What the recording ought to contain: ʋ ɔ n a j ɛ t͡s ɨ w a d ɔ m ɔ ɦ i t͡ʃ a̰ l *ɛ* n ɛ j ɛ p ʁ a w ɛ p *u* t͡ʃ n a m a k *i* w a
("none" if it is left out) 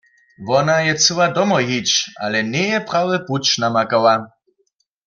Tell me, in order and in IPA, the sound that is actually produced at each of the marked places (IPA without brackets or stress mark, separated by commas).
ɛ, u, a